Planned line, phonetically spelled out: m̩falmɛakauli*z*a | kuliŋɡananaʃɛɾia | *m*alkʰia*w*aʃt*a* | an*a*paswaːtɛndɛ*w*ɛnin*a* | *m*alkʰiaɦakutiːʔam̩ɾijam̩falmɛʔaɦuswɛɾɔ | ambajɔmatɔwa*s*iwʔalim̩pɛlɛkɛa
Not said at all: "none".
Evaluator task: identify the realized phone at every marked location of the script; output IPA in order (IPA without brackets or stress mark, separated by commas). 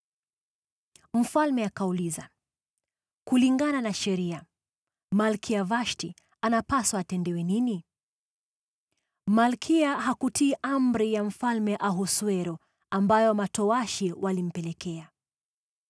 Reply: z, m, v, i, a, w, i, m, ʃ